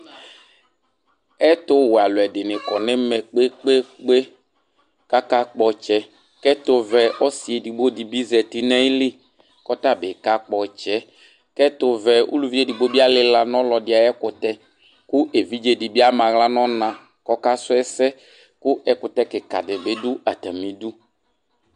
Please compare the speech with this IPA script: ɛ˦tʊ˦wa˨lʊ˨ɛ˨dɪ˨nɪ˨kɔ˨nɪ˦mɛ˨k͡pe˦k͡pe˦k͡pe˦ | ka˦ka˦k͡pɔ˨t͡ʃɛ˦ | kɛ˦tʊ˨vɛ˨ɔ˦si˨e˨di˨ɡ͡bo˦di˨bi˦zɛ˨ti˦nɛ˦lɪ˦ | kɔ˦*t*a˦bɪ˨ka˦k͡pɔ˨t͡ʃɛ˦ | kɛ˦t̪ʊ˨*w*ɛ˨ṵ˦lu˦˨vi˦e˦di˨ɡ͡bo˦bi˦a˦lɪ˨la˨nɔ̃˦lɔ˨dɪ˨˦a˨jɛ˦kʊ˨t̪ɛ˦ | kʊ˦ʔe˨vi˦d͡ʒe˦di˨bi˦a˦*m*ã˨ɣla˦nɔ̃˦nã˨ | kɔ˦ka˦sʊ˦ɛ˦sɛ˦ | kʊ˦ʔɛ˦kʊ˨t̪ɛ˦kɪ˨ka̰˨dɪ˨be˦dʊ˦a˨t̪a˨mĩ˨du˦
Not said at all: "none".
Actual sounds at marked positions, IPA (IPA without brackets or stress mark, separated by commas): t, v, m